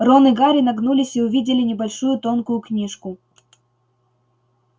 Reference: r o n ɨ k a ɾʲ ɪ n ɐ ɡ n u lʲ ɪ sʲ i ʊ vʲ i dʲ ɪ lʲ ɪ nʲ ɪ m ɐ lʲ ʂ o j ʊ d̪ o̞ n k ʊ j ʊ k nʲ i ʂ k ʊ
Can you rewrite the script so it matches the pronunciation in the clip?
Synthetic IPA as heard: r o n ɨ ɡ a ɾʲ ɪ n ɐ ɡ n u lʲ ɪ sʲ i ʊ vʲ i dʲ ɪ lʲ ɪ nʲ ɪ b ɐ lʲ ʂ u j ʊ t̪ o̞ n k ʊ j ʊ k nʲ i ʂ k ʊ